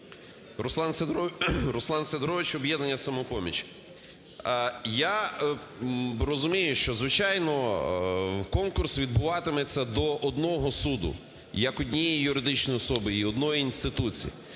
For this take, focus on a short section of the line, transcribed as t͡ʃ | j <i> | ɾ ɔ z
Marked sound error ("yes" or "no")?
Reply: yes